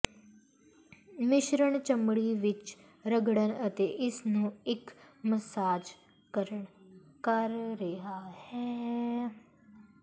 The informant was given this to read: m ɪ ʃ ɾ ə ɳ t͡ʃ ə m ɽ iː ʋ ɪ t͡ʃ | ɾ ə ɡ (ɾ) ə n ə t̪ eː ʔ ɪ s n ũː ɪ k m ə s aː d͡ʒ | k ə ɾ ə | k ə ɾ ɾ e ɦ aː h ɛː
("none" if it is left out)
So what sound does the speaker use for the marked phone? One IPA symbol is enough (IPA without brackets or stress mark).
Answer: ɽ